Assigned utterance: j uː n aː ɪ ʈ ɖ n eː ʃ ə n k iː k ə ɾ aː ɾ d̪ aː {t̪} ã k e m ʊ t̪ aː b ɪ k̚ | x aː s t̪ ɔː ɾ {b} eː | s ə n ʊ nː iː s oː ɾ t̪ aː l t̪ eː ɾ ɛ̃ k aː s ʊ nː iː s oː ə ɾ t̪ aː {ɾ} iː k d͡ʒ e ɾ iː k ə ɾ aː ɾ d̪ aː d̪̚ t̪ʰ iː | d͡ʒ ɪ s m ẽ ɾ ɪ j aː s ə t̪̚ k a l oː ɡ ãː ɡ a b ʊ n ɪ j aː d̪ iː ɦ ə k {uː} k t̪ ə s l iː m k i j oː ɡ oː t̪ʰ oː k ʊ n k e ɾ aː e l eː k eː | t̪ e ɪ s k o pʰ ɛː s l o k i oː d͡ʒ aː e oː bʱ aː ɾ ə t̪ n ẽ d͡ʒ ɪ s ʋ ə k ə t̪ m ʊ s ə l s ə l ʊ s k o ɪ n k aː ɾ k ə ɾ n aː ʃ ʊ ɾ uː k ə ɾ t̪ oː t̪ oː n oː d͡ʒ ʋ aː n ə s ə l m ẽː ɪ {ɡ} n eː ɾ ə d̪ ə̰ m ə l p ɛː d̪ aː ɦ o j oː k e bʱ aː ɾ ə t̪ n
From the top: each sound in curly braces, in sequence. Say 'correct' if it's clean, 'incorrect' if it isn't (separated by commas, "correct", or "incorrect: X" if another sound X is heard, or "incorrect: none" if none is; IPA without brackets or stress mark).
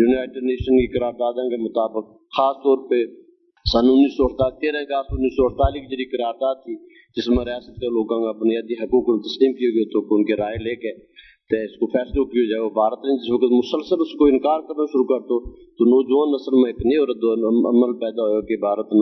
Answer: incorrect: d̪, incorrect: p, incorrect: l, correct, incorrect: k